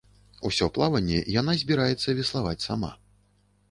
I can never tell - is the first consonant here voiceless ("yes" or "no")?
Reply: yes